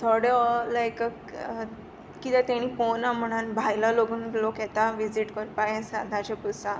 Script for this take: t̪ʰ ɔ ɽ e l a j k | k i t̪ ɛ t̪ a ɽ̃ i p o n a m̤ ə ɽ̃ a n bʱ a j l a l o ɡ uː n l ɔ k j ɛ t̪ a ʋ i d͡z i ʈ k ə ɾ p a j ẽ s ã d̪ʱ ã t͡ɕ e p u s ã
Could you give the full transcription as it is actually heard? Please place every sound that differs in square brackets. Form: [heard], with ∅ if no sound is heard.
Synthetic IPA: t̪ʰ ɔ ɽ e l a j k | k i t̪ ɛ t̪ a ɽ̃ i p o n a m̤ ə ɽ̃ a n bʱ a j l a l o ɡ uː n l [o] k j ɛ t̪ a ʋ i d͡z i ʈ k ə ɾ p a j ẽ s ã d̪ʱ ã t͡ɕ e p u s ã

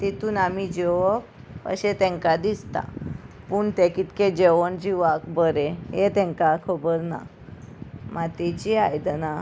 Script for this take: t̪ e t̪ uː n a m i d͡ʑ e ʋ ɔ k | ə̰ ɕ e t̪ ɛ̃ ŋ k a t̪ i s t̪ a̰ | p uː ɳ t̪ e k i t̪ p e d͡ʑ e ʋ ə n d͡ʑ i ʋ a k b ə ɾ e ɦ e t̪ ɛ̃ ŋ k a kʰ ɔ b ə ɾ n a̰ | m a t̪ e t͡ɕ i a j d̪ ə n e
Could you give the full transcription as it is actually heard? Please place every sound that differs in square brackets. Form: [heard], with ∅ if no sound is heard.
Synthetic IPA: t̪ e t̪ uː n a m i d͡ʑ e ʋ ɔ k | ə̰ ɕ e t̪ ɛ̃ ŋ k a [d̪] i s t̪ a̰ | p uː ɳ t̪ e k i t̪ [k] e d͡ʑ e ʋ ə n d͡ʑ i ʋ a k b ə ɾ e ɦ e t̪ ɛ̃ ŋ k a kʰ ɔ b ə ɾ n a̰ | m a t̪ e t͡ɕ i a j d̪ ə n [a]

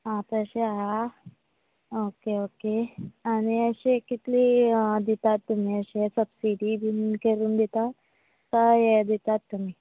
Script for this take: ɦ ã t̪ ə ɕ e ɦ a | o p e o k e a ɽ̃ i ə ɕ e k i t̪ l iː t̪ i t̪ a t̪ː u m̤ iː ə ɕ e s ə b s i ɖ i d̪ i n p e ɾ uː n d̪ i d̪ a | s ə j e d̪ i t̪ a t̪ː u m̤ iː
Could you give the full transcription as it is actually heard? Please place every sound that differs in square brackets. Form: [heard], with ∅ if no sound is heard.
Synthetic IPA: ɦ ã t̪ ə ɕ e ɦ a | o [k] e o k e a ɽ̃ i ə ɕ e k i t̪ l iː [d̪] i t̪ a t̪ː u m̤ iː ə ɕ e s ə b s i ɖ i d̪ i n [k] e ɾ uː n d̪ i [t̪] a | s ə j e d̪ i t̪ a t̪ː u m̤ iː

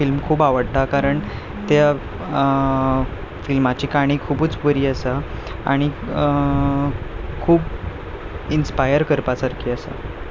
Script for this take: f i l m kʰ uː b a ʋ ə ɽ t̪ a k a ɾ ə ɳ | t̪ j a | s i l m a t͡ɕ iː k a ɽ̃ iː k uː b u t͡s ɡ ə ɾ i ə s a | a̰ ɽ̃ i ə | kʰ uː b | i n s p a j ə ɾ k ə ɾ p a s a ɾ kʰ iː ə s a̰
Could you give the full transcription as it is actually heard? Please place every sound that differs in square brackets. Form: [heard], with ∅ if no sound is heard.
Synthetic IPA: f i l m kʰ uː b a ʋ ə ɽ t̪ a k a ɾ ə ɳ | t̪ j a | [f] i l m a t͡ɕ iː k a ɽ̃ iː [kʰ] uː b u t͡s [b] ə ɾ [iː] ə s a | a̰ ɽ̃ i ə | kʰ uː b | i n s p a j ə ɾ k ə ɾ p a s a ɾ kʰ iː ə s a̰

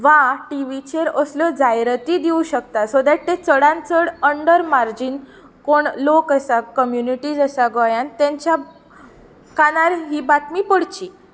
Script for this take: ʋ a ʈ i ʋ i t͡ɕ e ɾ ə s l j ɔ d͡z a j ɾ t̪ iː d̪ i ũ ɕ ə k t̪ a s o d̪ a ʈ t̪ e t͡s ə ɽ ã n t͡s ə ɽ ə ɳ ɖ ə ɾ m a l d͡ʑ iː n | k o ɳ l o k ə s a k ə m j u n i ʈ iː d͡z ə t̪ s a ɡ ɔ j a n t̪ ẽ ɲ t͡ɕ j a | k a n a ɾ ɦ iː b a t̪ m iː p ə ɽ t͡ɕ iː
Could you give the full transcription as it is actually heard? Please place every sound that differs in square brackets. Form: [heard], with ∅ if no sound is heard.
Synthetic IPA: ʋ a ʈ i ʋ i t͡ɕ e ɾ ə s l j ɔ d͡z a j ɾ t̪ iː d̪ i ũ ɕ ə k t̪ a s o d̪ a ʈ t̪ e t͡s ə ɽ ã n t͡s ə ɽ ə ɳ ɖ ə ɾ m a [ɾ] d͡ʑ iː n | k o ɳ l o k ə s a k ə m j u n i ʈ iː d͡z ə [∅] s a ɡ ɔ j a n t̪ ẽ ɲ t͡ɕ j a | k a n a ɾ ɦ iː b a t̪ m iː p ə ɽ t͡ɕ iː

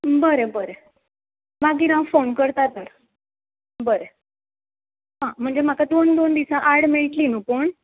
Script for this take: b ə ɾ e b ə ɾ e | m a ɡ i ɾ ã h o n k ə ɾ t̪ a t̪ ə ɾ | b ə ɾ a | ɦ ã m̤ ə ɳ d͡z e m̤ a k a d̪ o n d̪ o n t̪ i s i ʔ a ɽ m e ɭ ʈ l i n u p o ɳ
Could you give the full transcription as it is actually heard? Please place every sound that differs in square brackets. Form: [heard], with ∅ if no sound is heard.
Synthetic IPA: b ə ɾ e b ə ɾ e | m a ɡ i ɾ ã [f] o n k ə ɾ t̪ a t̪ ə ɾ | b ə ɾ [e] | ɦ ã m̤ ə ɳ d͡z e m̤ a k a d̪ o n d̪ o n [d̪] i s [a] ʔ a ɽ m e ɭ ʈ l i n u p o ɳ

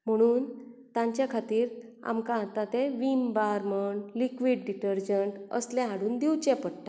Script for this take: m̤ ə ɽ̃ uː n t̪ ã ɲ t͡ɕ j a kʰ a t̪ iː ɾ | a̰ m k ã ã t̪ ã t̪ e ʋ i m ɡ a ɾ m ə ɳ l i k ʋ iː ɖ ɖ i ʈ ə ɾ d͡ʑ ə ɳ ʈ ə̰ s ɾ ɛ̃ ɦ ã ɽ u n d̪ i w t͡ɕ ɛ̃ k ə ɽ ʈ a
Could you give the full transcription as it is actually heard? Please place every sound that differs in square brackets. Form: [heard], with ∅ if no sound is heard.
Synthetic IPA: m̤ ə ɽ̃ uː n t̪ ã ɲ t͡ɕ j a kʰ a t̪ iː ɾ | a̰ m k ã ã t̪ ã t̪ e ʋ i m [b] a ɾ m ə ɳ l i k ʋ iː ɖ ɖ i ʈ ə ɾ d͡ʑ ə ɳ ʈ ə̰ s [l] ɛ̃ ɦ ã ɽ [uː] n d̪ i w t͡ɕ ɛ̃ [p] ə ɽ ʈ a

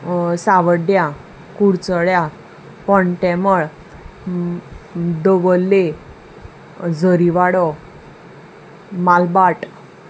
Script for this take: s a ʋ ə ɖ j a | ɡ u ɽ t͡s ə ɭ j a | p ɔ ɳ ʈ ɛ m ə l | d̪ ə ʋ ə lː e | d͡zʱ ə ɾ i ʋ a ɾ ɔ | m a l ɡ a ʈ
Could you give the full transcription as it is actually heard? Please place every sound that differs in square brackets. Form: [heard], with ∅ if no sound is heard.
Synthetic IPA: s a ʋ ə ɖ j a | [k] u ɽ t͡s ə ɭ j a | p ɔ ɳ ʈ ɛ m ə [ɭ] | d̪ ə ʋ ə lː e | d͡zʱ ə ɾ i ʋ a [ɽ] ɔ | m a l [b] a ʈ

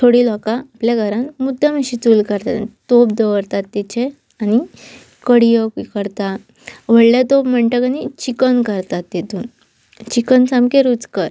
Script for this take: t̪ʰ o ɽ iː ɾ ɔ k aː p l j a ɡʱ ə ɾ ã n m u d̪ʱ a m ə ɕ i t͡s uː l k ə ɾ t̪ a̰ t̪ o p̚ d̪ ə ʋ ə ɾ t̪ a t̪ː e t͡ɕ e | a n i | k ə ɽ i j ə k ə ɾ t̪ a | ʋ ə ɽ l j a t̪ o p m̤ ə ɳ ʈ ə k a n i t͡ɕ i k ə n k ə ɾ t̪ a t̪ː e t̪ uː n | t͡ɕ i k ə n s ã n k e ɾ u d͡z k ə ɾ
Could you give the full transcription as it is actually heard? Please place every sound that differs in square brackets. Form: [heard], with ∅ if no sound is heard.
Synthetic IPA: t̪ʰ o ɽ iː [l] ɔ k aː p l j a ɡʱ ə ɾ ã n m u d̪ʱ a m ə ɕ i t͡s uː l k ə ɾ t̪ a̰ t̪ o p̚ d̪ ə ʋ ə ɾ t̪ a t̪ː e t͡ɕ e | a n i | k ə ɽ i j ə k ə ɾ t̪ a | ʋ ə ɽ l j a t̪ o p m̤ ə ɳ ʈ ə k a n i t͡ɕ i k ə n k ə ɾ t̪ a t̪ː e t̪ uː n | t͡ɕ i k ə n s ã [m] k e ɾ u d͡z k ə ɾ

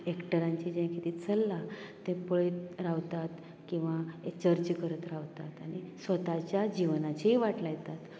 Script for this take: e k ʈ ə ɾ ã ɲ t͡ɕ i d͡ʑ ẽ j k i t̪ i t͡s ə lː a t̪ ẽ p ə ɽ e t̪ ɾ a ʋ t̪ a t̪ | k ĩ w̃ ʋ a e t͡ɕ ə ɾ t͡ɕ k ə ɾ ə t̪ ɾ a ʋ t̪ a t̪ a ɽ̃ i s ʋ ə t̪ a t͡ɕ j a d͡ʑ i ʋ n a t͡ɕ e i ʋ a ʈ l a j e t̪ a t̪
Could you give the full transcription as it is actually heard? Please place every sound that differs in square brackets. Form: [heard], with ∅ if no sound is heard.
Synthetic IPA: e k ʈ ə ɾ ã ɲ t͡ɕ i d͡ʑ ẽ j k i t̪ i t͡s ə lː a t̪ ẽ p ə [ɭ] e t̪ ɾ a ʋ t̪ a t̪ | k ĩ w̃ ʋ a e t͡ɕ ə ɾ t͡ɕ k ə ɾ ə t̪ ɾ a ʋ t̪ a t̪ a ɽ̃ i s ʋ ə t̪ a t͡ɕ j a d͡ʑ i ʋ n a t͡ɕ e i ʋ a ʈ l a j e t̪ a t̪

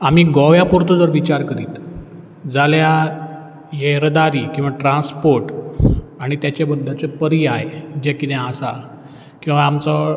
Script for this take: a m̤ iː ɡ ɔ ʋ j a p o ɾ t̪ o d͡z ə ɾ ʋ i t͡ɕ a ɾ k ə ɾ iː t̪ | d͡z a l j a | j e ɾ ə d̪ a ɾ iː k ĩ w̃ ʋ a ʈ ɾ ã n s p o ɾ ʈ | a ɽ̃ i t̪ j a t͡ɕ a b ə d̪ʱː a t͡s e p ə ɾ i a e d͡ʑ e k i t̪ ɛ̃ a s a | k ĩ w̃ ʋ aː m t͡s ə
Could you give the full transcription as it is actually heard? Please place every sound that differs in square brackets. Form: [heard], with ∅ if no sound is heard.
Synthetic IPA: a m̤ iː ɡ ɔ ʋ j a p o ɾ t̪ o d͡z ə ɾ ʋ i t͡ɕ a ɾ k ə ɾ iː t̪ | d͡z a l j a | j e ɾ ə d̪ a ɾ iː k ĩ w̃ ʋ a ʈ ɾ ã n s p o ɾ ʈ | a ɽ̃ i t̪ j a t͡ɕ a b ə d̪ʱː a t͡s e p ə ɾ i a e d͡ʑ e k i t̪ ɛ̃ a s a | k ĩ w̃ ʋ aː m t͡s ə

